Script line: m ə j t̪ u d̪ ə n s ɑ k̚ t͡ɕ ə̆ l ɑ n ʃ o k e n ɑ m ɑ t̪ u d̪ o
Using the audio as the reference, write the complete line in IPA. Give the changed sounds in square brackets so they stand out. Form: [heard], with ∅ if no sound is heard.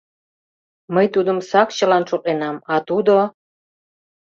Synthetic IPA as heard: m ə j t̪ u d̪ ə [m] s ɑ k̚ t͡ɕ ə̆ l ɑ n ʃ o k e n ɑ m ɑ t̪ u d̪ o